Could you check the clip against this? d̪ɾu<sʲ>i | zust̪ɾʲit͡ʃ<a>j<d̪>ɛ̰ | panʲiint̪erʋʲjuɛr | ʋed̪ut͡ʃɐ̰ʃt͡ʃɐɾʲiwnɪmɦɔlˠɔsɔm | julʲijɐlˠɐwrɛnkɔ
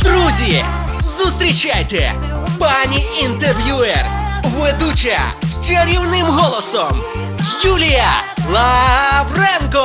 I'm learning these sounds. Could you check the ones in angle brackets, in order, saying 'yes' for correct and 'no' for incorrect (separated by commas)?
no, yes, no